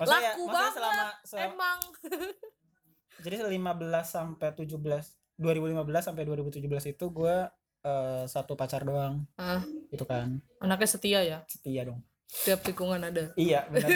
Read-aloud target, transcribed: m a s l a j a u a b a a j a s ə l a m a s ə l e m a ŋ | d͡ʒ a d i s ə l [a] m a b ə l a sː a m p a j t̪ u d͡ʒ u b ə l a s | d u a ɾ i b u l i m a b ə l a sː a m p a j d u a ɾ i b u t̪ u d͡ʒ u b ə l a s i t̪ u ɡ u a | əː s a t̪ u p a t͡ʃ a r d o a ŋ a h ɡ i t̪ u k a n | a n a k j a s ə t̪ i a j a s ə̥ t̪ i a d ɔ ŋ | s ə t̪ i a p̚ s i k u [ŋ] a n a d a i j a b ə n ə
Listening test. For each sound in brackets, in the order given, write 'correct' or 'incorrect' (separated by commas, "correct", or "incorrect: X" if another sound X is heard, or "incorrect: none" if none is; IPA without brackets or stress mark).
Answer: incorrect: i, correct